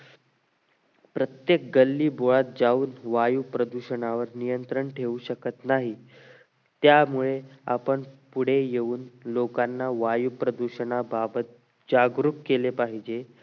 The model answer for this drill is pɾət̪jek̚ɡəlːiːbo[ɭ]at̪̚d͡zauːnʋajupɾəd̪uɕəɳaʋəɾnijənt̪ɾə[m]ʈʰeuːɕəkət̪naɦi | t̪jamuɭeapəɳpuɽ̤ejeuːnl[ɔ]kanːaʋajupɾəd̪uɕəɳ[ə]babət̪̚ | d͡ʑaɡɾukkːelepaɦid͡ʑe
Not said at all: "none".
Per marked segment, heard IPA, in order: ɭ, ɳ, o, a

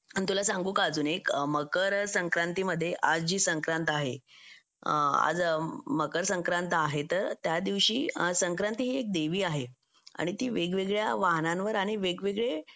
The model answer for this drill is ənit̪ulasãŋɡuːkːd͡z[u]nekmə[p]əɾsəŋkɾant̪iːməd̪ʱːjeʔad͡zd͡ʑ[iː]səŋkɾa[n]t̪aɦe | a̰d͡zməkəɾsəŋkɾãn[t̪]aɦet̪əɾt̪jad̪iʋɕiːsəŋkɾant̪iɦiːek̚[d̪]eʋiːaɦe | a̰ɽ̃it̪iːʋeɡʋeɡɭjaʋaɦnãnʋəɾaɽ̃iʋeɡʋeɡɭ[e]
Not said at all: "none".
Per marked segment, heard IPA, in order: uː, k, iː, n, t̪, d̪, e

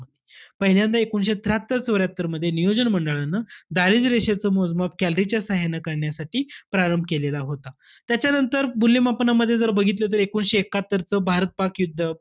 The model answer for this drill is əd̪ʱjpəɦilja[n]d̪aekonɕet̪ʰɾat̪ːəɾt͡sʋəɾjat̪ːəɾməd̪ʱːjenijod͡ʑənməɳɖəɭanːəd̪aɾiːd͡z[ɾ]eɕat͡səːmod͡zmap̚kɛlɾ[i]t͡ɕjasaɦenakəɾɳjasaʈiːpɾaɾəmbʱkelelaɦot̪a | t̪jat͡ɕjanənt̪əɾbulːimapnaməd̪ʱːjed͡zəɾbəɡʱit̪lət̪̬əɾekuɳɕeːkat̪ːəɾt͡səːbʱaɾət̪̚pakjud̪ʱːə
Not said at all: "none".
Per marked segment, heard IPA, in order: n, ɾ, i

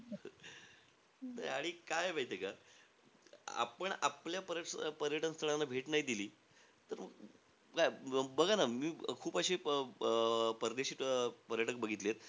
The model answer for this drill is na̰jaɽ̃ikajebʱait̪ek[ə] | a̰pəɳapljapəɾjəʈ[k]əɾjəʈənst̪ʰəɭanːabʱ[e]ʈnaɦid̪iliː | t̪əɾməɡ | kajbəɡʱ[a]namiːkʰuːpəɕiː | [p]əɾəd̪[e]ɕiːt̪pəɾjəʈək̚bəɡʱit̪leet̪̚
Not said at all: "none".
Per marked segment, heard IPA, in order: a, p, e, a, p, e

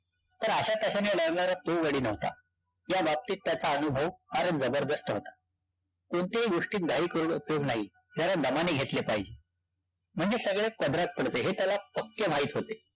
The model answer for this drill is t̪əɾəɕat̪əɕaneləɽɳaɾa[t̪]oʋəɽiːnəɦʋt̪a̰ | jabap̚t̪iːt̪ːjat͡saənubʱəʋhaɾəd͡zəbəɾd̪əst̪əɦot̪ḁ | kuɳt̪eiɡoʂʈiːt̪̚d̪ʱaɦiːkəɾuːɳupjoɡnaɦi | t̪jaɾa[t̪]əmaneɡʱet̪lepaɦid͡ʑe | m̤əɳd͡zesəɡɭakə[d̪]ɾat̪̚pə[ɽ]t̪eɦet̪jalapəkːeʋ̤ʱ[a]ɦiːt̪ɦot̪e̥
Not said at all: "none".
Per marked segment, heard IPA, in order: t̪, d̪, d̪, ɽ, a

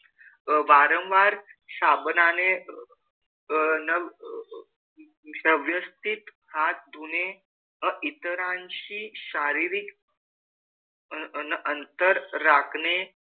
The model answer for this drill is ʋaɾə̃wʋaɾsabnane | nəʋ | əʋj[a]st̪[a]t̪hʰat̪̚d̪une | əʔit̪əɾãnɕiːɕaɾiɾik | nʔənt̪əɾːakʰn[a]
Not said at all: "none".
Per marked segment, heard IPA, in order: ə, i, e

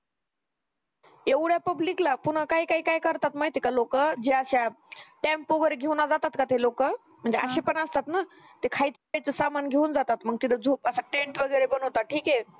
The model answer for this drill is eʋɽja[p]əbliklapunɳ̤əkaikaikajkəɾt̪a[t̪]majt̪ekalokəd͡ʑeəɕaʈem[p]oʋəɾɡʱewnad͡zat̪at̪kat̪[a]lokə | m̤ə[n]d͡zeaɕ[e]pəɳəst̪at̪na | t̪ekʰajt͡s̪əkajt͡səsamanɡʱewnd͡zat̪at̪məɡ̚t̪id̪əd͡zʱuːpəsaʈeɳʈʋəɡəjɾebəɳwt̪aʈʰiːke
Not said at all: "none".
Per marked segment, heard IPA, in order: p, t̪, p, e, ɳ, e

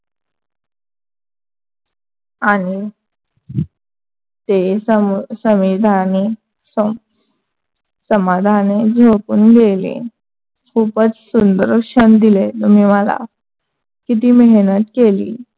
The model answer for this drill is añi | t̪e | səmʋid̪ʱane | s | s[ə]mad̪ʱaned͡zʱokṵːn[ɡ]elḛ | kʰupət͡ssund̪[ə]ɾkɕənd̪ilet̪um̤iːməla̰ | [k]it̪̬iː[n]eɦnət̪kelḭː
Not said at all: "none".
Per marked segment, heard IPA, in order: ə, ɡ, ə, k, m

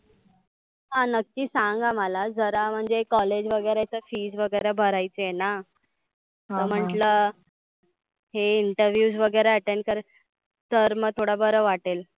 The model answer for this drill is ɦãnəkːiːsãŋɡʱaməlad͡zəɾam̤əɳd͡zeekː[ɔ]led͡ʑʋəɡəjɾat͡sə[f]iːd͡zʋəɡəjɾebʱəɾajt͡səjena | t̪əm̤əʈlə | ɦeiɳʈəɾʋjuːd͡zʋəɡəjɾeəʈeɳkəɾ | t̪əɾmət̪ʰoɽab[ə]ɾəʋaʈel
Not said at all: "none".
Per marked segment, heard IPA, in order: ɔ, f, ə

